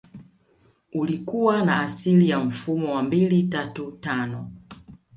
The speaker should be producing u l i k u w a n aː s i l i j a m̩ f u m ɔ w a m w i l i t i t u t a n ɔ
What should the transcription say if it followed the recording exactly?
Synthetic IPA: u l i k u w a n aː s i l i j a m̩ f u m ɔ w a m b i l i t a t u t a n ɔ

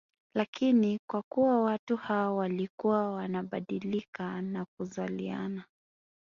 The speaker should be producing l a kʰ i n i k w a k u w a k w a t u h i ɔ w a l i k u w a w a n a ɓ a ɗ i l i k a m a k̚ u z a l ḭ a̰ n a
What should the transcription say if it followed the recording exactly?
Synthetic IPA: l a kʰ i n i k w a k u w a w a t u h a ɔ w a l i k u w a w a n a ɓ a ɗ i l i k a n a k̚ u z a l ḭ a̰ n a

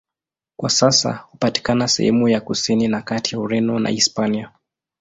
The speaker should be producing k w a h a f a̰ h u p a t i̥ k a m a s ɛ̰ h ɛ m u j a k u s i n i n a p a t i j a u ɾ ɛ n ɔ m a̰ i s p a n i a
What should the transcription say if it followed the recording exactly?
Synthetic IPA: k w a s a s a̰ h u p a t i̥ k a n a s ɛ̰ h ɛ m u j a k u s i n i n a k a t i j a u ɾ ɛ n ɔ n a̰ i s p a n i a

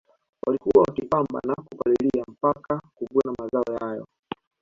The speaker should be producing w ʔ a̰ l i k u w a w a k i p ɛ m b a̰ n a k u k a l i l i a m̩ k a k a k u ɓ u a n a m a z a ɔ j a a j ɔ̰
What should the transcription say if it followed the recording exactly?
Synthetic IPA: w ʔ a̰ l i k u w a w a k i p a m b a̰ n a k u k a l i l i a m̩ p a k a k u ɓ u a n a m a z a ɔ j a a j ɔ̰

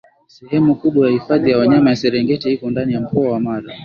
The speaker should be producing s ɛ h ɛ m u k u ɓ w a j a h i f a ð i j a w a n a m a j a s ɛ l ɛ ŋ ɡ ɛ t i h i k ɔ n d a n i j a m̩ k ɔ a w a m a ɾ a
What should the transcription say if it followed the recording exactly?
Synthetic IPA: s ɛ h ɛ m u k u ɓ w a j a h i f a ð i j a w a ɲ a m a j a s ɛ ɾ ɛ ŋ ɡ ɛ t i h i k ɔ n d a n i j a m̩ k ɔ a w a m a ɾ a

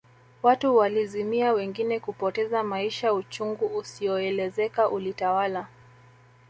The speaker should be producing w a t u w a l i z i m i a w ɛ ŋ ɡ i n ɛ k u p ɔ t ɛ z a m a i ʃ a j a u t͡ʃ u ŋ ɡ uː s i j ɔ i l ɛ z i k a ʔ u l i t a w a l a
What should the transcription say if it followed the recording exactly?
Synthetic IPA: w a t u w a l i z i m i a w ɛ ŋ ɡ i n ɛ k u p ɔ t ɛ z a m a i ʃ a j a u t͡ʃ u ŋ ɡ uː s i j ɔ ɛ l ɛ z ɛ k a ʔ u l i t a w a l a

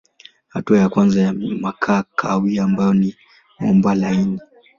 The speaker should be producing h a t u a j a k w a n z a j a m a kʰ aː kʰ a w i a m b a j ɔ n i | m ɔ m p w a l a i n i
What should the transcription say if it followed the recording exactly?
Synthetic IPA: h a t u a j a k w a n z a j a m a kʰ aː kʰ a w i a m b a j ɔ n i | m ɔ m b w a l a i n i

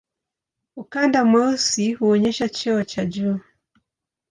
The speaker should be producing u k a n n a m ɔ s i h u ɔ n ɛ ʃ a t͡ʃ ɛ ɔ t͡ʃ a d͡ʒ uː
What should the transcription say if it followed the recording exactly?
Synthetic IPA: u k a n d a m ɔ s i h u ɔ ɲ ɛ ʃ a t͡ʃ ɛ ɔ t͡ʃ a d͡ʒ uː

